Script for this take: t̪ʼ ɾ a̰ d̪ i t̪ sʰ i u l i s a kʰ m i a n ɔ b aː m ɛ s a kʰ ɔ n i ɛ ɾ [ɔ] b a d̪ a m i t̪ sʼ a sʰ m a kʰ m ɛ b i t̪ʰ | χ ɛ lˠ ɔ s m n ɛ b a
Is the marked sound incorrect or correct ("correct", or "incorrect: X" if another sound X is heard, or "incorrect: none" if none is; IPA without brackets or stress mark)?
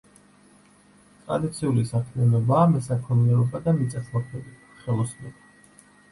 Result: correct